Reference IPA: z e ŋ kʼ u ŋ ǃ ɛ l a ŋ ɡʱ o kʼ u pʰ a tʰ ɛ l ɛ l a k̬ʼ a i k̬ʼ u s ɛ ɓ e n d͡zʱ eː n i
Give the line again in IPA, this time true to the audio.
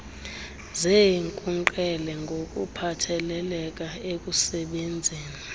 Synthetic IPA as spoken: z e ŋ kʼ u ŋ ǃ ɛ l ɛ ŋ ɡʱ o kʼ u pʰ a tʰ ɛ l ɛ l ɛ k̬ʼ a e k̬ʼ u s ɛ ɓ e n d͡zʱ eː n i